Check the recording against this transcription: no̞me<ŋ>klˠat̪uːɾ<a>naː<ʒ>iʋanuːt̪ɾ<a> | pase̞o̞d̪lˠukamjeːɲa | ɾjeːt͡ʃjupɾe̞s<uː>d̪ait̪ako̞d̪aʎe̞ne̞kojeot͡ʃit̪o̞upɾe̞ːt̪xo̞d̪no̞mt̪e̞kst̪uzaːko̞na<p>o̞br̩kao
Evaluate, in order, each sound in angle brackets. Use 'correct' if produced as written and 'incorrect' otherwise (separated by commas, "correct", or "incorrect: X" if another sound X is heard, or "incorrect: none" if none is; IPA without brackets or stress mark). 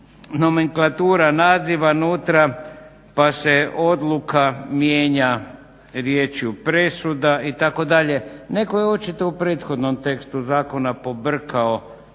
correct, correct, incorrect: z, correct, incorrect: u, correct